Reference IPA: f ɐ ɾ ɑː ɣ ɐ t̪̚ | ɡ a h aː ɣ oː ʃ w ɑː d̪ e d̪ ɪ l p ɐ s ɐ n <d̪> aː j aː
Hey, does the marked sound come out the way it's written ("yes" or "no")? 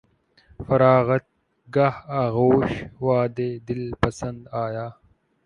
yes